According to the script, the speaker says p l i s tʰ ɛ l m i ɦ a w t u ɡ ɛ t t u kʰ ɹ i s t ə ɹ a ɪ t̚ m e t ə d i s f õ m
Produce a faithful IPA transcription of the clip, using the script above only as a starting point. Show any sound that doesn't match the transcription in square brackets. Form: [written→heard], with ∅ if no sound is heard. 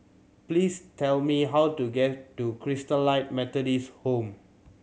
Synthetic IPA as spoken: p l i s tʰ ɛ l m i ɦ a w t u ɡ ɛ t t u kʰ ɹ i s t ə [ɹ→l] a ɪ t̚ m [e→ɛ] t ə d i s [f→h] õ m